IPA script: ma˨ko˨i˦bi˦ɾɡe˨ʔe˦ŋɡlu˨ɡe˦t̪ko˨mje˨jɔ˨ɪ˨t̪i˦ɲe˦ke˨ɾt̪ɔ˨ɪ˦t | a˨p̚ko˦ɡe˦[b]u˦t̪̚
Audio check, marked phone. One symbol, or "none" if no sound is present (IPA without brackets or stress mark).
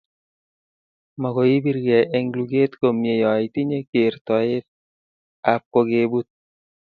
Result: b